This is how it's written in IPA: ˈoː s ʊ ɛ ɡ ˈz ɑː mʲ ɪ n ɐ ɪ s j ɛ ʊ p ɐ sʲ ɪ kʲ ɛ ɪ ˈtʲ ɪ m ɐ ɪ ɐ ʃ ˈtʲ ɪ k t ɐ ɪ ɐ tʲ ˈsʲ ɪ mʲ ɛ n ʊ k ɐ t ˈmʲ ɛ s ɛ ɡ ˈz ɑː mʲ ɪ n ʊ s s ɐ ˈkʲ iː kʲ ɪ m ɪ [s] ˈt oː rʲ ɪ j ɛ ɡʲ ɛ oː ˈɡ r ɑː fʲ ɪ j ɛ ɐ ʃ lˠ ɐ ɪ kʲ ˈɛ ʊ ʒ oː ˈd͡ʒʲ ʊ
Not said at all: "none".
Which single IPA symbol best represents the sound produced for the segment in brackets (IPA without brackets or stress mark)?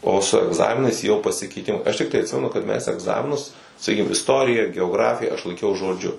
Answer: s